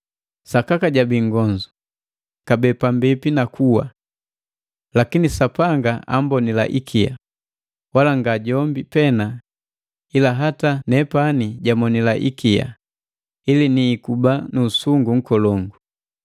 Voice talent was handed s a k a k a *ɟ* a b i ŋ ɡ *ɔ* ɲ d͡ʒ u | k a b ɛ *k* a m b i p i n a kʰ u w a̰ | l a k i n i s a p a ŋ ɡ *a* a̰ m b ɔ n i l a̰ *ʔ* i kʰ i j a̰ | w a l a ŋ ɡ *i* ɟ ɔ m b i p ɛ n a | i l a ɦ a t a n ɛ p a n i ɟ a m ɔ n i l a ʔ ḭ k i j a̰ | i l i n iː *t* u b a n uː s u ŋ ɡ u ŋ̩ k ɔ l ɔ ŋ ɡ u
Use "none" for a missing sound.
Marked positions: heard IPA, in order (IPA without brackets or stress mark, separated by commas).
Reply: ɟ, ɔ, p, a, ʔ, a, k